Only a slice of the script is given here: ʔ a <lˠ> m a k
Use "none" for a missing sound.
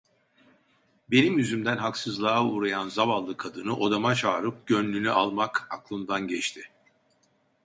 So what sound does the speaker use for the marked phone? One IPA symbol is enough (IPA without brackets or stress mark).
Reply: lˠ